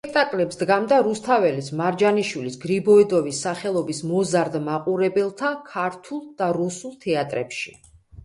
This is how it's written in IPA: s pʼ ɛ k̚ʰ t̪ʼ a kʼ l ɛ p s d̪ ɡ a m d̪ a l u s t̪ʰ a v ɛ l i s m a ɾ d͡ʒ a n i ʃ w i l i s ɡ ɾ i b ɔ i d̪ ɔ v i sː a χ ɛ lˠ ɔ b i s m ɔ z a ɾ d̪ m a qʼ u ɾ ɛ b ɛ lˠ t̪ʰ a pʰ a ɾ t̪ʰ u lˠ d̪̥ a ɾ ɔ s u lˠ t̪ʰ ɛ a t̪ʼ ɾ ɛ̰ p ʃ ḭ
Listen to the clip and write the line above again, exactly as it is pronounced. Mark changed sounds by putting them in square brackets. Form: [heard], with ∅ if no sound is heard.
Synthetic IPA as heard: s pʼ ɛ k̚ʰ t̪ʼ a kʼ l ɛ p s d̪ ɡ a m d̪ a [ɾ] u s t̪ʰ a v ɛ l i s m a ɾ d͡ʒ a n i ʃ w i l i s ɡ ɾ i b ɔ i d̪ ɔ v i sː a χ ɛ lˠ ɔ b i s m ɔ z a ɾ d̪ m a qʼ u ɾ ɛ b ɛ lˠ t̪ʰ a [kʰ] a ɾ t̪ʰ u lˠ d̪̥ a ɾ [u] s u lˠ t̪ʰ ɛ a t̪ʼ ɾ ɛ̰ p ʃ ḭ